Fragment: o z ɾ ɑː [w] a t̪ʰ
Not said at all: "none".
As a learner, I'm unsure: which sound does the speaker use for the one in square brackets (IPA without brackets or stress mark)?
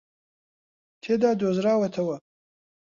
w